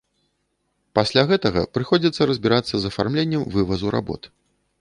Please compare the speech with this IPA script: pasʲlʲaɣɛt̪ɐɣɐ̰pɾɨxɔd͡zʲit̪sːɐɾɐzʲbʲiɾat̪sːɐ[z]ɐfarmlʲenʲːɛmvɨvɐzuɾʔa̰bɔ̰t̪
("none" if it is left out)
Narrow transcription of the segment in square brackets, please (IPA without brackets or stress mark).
z